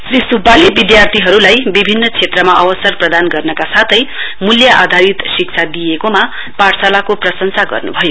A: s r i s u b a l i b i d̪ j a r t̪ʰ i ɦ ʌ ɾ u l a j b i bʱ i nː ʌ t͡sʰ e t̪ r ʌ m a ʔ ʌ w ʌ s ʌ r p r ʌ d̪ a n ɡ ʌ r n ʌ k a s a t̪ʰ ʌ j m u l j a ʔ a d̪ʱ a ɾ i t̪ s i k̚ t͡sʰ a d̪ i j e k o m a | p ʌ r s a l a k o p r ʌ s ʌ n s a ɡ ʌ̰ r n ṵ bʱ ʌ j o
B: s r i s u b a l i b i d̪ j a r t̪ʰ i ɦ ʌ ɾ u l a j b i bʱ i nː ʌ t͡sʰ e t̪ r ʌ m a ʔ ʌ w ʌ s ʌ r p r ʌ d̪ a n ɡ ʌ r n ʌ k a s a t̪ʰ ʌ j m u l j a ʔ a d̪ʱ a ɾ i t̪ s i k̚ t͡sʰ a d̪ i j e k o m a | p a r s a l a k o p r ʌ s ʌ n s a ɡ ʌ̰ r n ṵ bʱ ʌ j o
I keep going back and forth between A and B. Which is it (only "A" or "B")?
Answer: B